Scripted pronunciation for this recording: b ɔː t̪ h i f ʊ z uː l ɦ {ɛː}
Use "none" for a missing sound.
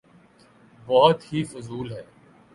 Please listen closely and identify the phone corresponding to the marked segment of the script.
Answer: ɛː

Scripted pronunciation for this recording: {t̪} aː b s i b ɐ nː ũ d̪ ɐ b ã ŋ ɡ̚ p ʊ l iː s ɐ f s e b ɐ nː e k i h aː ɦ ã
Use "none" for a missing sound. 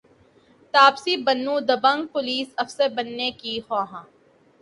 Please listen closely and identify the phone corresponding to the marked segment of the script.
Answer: t̪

